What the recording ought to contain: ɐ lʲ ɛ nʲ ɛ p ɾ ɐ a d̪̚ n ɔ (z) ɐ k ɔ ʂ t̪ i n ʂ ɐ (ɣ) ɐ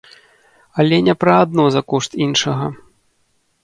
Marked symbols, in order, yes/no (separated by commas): yes, yes